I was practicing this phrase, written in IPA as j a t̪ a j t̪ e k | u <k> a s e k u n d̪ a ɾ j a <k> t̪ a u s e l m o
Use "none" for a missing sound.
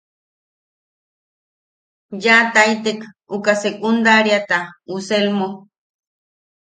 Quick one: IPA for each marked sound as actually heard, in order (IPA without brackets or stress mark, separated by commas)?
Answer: k, none